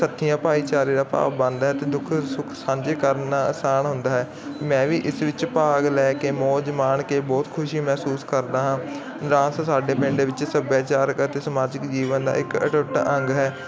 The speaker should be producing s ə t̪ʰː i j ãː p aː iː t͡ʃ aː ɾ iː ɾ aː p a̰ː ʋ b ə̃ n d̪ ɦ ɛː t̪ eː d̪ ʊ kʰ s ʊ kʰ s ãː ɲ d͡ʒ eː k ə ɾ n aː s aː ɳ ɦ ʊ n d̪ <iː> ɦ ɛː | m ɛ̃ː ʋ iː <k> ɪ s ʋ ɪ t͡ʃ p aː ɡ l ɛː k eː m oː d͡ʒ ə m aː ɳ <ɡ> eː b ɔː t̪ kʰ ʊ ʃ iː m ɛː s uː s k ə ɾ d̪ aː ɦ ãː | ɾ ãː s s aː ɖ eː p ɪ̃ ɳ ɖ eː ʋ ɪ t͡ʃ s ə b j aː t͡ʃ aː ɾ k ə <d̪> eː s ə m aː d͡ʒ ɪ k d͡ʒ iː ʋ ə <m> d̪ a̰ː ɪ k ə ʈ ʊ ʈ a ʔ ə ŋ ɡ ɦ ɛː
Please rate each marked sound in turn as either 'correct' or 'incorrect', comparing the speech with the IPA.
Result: incorrect, incorrect, incorrect, incorrect, incorrect

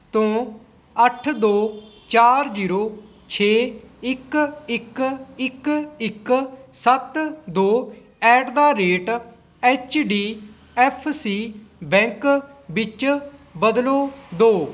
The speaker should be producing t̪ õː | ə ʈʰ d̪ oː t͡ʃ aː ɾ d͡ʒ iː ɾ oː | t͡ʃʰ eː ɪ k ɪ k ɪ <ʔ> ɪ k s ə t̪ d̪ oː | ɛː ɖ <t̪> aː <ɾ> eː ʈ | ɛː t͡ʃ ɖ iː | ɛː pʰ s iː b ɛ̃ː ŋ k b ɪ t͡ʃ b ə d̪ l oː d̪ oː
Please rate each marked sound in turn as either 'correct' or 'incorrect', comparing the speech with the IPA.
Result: incorrect, incorrect, correct

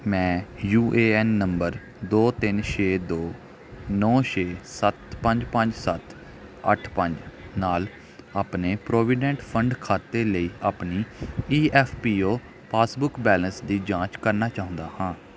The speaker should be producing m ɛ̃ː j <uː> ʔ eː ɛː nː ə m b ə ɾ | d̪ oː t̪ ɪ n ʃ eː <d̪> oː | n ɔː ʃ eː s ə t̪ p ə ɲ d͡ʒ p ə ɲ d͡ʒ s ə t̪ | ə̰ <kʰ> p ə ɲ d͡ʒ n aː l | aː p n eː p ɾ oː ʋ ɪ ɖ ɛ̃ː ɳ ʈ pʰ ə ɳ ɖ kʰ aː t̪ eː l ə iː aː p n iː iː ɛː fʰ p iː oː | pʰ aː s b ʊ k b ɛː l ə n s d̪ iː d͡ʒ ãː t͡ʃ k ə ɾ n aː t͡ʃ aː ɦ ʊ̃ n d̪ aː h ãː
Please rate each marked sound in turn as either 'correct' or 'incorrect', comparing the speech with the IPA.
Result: correct, correct, incorrect

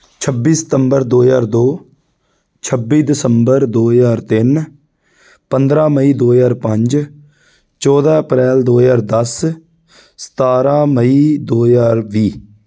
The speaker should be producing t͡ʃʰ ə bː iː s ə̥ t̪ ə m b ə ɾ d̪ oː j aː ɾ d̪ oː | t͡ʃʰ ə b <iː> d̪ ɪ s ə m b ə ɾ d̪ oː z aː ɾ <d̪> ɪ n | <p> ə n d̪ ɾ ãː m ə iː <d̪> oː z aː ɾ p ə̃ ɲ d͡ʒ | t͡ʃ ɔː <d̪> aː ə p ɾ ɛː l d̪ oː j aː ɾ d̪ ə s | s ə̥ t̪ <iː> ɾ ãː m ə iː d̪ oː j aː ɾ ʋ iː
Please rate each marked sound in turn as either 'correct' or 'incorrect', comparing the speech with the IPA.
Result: correct, incorrect, correct, correct, correct, incorrect

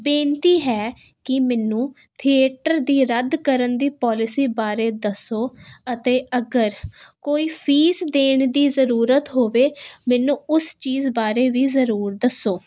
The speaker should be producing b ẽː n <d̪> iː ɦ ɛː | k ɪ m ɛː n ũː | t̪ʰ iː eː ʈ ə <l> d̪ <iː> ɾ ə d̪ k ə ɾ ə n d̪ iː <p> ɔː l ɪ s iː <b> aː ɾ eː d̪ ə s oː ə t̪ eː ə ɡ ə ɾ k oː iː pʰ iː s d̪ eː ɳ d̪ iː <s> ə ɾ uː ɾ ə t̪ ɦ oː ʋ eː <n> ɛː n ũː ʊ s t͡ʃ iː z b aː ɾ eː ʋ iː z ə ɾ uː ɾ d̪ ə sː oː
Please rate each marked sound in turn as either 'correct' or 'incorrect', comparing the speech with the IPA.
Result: incorrect, incorrect, correct, correct, correct, incorrect, incorrect

